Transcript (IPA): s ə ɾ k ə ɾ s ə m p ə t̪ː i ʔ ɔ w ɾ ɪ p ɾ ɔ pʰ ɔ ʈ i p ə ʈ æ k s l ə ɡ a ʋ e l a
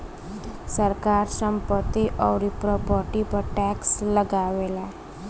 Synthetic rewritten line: s ə ɾ k a ɾ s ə m p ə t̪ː i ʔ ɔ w ɾ i p ɾ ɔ p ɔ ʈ i p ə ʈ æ k s l ə ɡ a ʋ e l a